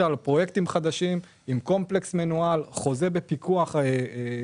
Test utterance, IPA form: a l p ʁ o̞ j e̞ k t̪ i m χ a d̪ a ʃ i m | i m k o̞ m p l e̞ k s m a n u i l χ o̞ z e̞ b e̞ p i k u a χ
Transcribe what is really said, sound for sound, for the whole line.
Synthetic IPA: a l p ʁ o̞ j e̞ k t̪ i m χ a d̪ a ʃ i m | i m k o̞ m p l e̞ k s m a n u a l χ o̞ z e̞ b e̞ p i k u a χ